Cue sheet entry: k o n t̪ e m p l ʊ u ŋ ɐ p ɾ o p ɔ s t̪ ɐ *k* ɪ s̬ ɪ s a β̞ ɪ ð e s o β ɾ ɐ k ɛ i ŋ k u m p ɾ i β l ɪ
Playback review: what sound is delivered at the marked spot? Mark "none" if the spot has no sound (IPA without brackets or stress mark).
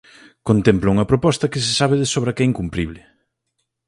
k